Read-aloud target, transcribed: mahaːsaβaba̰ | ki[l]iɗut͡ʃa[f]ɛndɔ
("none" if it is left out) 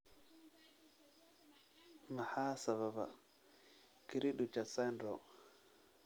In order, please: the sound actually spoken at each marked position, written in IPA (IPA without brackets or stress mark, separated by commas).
ɾ, s